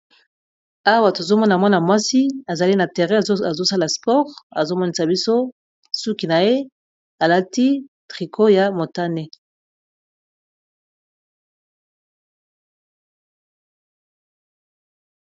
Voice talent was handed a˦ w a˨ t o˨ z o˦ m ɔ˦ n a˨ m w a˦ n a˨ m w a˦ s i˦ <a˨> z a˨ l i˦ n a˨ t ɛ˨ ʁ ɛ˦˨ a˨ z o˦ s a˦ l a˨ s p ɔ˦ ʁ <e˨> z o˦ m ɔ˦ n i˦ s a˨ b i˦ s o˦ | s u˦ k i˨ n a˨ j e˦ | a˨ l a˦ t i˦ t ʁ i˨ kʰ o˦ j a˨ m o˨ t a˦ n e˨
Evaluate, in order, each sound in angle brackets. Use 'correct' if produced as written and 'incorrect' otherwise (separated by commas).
correct, incorrect